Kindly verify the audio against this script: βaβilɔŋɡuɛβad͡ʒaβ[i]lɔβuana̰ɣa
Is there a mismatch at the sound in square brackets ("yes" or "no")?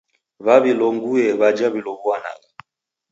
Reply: no